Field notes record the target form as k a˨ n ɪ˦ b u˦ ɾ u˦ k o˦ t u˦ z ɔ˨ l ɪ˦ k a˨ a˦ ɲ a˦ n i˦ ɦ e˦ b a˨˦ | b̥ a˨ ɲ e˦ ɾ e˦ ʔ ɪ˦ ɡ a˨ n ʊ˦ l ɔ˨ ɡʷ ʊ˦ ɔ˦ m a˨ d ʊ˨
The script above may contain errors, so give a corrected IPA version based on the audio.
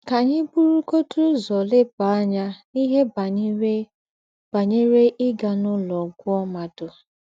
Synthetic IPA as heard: k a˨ ɲ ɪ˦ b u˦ ɾ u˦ k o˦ t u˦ z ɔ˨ l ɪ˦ p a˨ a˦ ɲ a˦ n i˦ ɦ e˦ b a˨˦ | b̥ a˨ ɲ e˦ ɾ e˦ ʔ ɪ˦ ɡ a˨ n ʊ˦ l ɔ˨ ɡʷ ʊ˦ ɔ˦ m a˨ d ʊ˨

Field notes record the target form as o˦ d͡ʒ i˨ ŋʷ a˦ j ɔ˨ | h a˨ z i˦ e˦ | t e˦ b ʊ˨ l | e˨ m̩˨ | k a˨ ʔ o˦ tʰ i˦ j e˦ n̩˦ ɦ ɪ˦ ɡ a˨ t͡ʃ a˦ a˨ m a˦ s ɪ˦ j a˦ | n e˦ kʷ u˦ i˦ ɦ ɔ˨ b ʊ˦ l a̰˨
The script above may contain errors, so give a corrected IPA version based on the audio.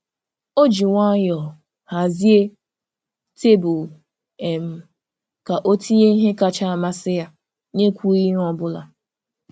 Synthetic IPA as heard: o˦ d͡ʒ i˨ ŋʷ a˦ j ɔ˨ | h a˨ z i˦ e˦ | t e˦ b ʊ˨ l | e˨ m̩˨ | k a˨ ʔ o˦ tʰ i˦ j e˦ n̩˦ ɦ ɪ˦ k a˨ t͡ʃ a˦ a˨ m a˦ s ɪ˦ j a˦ | n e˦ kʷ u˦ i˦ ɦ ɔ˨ b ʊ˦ l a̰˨

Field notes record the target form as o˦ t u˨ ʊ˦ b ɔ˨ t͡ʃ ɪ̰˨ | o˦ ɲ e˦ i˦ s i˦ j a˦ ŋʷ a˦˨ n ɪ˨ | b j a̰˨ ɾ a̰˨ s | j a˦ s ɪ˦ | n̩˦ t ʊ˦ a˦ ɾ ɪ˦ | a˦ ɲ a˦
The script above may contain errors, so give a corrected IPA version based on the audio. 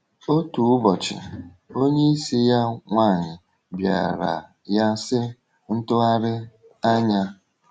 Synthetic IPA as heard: o˦ t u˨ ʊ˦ b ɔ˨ t͡ʃ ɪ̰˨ | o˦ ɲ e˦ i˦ s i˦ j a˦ ŋʷ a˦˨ ɲ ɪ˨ | b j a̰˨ ɾ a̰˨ | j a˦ s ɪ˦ | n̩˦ t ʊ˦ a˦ ɾ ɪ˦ | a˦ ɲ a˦

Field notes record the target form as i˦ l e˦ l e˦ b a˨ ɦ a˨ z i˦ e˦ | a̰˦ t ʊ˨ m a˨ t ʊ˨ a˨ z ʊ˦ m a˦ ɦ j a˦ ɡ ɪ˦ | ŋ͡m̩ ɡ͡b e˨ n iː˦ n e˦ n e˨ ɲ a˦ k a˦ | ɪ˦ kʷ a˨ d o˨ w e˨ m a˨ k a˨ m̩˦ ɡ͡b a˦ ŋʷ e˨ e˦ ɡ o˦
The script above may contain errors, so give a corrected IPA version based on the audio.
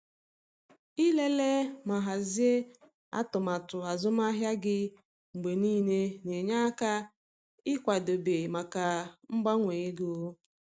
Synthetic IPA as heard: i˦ l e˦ l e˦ m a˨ ɦ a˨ z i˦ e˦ | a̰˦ t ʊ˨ m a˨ t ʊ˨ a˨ z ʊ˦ m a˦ ɦ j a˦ ɡ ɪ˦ | ŋ͡m̩ ɡ͡b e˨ n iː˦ n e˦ n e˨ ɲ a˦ k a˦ | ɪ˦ kʷ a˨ d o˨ b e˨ m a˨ k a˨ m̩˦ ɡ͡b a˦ ŋʷ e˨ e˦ ɡ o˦

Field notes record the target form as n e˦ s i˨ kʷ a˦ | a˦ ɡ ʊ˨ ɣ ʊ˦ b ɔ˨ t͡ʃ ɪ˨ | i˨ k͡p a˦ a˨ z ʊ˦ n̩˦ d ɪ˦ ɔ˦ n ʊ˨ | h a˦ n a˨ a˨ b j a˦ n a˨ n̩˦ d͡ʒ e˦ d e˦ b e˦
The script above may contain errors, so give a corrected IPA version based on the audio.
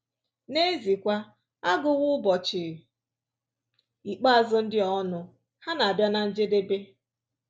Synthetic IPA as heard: n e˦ z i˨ kʷ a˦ | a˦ ɡ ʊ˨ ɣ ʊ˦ b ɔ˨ t͡ʃ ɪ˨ | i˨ k͡p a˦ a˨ z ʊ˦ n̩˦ d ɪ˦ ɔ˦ n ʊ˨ | h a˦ n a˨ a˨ b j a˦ n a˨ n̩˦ d͡ʒ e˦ d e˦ b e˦

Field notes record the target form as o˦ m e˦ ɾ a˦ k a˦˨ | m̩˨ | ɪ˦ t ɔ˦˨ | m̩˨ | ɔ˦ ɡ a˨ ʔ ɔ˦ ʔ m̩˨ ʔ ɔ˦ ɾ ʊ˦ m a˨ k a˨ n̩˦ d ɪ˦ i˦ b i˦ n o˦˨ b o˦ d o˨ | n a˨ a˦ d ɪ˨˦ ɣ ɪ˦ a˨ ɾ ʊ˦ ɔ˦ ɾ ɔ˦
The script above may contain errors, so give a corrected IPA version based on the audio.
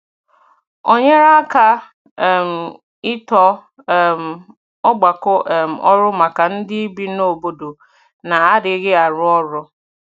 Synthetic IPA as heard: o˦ ɲ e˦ ɾ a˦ k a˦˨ | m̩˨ | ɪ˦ t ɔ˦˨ | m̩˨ | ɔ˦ ɡ͡b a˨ k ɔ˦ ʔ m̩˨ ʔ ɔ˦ ɾ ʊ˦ m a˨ k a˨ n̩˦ d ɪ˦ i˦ b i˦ n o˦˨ b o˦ d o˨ | n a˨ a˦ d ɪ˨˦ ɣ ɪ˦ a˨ ɾ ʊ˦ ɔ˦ ɾ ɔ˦

